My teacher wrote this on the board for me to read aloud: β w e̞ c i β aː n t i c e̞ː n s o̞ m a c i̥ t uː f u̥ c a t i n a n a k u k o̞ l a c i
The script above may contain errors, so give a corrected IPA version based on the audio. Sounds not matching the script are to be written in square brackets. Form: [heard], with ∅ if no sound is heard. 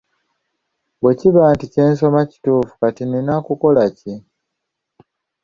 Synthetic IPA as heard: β w e̞ c i β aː n t i c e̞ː n s o̞ m a c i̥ t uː f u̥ [k] a t i n [i] n a k u k o̞ l a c i